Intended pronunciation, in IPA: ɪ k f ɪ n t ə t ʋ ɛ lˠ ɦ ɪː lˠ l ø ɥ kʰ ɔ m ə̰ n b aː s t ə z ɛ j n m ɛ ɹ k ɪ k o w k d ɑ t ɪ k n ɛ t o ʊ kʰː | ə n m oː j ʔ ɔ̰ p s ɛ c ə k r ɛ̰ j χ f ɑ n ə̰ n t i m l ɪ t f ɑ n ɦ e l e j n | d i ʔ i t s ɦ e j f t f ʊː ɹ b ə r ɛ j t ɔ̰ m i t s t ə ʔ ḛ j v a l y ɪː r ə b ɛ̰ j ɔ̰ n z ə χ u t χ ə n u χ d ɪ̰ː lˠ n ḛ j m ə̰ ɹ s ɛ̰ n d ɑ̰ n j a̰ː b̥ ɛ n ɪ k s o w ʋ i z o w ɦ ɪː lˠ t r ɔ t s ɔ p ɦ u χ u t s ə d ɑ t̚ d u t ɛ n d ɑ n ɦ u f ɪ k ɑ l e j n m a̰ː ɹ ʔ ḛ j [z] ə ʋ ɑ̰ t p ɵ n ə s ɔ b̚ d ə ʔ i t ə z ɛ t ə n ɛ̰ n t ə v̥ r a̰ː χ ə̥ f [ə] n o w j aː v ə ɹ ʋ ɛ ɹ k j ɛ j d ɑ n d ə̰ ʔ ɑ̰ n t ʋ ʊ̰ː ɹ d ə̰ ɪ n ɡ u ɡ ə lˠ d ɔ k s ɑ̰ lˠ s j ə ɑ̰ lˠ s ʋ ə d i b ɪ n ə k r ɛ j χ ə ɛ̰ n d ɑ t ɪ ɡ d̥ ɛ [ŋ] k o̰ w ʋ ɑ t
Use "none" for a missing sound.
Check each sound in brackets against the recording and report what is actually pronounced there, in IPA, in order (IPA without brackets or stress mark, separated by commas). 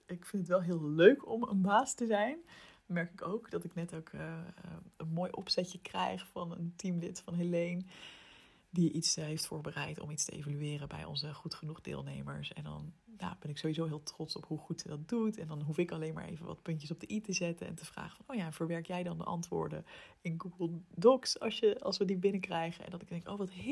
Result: v, ɑ, ŋ